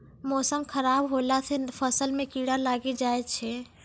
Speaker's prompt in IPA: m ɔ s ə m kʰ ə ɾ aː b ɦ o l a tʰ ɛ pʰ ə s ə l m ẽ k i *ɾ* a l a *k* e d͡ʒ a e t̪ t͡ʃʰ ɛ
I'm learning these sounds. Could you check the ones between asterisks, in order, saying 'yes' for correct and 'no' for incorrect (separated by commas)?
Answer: no, no